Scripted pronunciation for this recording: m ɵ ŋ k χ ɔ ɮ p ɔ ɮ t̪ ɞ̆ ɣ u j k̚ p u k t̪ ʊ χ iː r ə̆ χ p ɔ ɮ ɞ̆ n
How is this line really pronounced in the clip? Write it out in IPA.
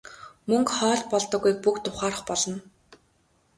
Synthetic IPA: m ɵ ŋ k χ ɔː ɮ p ɔ ɮ t̪ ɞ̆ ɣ u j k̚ p u k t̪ ʊ χ aː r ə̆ χ p ɔ ɮ ɞ̆ n